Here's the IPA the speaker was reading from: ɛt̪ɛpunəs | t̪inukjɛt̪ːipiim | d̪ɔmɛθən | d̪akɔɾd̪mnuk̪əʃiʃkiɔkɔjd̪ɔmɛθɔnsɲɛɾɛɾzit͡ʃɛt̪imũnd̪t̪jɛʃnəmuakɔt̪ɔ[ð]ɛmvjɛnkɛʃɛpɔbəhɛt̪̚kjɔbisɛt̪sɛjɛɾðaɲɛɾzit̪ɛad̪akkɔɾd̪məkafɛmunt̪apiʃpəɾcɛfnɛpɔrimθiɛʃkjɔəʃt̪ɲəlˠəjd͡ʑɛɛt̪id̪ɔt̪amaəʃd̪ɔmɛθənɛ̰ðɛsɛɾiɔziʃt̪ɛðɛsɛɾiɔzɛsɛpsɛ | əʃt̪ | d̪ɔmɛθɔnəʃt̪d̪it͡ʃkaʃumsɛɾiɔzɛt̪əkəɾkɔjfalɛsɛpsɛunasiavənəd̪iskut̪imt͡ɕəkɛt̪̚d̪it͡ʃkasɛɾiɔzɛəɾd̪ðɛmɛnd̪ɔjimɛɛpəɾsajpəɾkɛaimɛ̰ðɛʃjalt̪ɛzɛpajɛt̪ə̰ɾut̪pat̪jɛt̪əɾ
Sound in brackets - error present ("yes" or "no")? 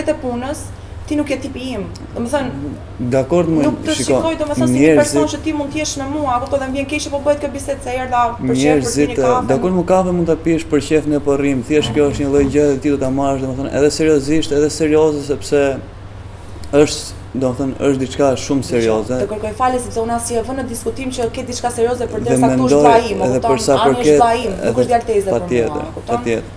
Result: no